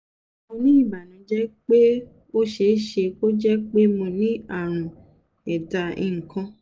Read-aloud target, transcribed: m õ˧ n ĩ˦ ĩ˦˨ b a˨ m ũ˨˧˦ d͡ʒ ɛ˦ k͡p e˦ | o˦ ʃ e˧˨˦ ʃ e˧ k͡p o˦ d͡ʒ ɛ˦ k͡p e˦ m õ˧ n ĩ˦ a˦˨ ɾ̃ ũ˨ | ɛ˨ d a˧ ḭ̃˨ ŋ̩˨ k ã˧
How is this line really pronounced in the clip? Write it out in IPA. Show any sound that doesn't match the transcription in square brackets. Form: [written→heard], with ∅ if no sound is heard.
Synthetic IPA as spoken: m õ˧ n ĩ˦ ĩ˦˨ b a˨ [m→n] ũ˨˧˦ d͡ʒ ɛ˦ k͡p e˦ | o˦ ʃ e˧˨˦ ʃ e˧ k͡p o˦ d͡ʒ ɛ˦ k͡p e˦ m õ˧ n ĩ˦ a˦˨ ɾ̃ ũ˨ | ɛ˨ d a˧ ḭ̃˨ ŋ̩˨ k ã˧